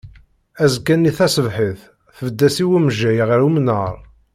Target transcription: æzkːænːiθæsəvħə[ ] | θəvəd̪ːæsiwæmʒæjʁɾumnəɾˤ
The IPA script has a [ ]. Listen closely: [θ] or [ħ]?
θ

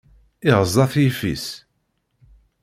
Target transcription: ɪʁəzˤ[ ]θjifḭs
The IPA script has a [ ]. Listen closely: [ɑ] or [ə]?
ɑ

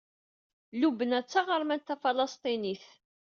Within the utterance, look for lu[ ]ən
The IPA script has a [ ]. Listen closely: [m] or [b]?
b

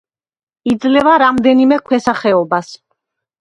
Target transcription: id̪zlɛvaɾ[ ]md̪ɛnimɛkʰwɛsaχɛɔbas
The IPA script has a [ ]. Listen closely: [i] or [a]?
a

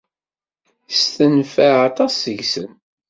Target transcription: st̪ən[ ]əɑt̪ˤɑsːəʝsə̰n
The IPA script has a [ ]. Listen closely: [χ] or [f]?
f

